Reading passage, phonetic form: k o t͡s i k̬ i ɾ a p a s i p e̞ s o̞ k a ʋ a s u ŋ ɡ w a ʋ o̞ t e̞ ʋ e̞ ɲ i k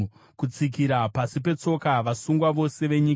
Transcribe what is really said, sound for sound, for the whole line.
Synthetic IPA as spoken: k u t͡s i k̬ i ɾ a p a s i p e̞ t͡s o̞ k a ʋ a s u ŋ ɡ w a ʋ o̞ s e̞ ʋ e̞ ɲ i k

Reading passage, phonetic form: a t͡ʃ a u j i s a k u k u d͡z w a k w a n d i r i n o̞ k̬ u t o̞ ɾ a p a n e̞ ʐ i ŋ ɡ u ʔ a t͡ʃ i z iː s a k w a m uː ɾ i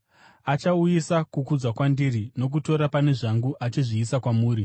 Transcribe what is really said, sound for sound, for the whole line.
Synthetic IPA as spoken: a t͡ʃ a u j i s a k u k u d͡z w a k w a n d i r i n o̞ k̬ u t o̞ ɾ a p a n e̞ ʐ a ŋ ɡ u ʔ a t͡ʃ i ʐ iː s a k w a m uː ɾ i

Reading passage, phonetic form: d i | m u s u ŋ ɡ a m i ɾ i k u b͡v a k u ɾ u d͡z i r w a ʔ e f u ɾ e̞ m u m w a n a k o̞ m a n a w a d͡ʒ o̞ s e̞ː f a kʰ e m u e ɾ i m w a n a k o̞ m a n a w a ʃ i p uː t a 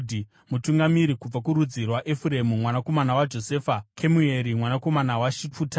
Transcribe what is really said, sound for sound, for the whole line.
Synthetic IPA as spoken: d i | m u t u ŋ ɡ a m i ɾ i k u b͡v a k u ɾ u d͡z i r w a ʔ e f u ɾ e̞ m u m w a n a k o̞ m a n a w a d͡ʒ o̞ s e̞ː f a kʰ e m u e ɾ i m w a n a k o̞ m a n a w a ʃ i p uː t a

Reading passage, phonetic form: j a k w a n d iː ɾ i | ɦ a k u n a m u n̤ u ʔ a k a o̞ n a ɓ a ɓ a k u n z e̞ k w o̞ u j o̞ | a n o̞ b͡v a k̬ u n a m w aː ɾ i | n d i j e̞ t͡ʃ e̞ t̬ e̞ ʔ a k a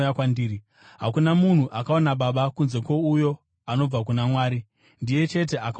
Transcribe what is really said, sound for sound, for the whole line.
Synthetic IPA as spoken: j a k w a n d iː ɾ i | ɦ a k u n a m u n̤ u ʔ a k a o̞ n a ɓ a ɓ a k u n z e̞ k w o̞ u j o̞ | a n o̞ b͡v a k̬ u n a m w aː ɾ i | n d i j e̞ t͡ʃ e̞ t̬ e̞ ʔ a k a

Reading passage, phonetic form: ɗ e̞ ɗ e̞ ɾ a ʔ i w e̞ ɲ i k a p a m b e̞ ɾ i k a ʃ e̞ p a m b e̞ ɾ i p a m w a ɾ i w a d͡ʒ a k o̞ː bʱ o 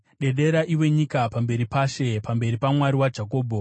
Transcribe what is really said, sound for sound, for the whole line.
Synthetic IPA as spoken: ɗ e̞ ɗ e̞ ɾ a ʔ i w e̞ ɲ i k a p a m b e̞ ɾ i p a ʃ e̞ p a m b e̞ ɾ i p a m w a ɾ i w a d͡ʒ a k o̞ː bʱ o

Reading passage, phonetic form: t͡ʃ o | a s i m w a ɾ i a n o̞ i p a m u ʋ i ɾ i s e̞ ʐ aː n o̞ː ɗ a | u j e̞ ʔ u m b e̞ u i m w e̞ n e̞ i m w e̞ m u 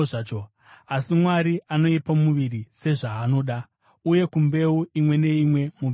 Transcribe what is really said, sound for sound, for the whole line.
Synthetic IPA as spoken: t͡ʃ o | a s i m w a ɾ i a n o̞ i p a m u ʋ i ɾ i s e̞ ʐ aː n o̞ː ɗ a | u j e̞ k u m b e̞ u i m w e̞ n e̞ i m w e̞ m u

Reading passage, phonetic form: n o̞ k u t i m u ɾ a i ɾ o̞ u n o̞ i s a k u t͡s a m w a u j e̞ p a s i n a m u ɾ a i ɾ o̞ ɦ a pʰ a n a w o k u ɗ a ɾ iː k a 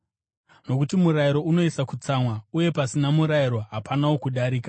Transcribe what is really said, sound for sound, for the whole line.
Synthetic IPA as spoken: n o̞ k u t i m u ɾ a i ɾ o̞ u n o̞ i s a k u t͡s a m w a u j e̞ p a s i n a m u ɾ a i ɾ o̞ ɦ a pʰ a n a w o k u ɗ a ɾ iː k a

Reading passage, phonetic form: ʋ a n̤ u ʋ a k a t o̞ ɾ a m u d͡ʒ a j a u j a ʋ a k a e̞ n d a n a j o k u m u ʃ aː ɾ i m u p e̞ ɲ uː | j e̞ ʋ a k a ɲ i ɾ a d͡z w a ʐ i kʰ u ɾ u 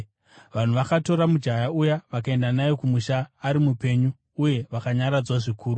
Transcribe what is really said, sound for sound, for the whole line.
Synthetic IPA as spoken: ʋ a n̤ u ʋ a k a t o̞ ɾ a m u d͡ʒ a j a u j a ʋ a k a e̞ n d a n a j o k u m u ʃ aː ɾ i m u p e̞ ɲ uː | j e̞ ʋ a k a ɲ a ɾ a d͡z w a ʐ i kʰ uː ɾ u

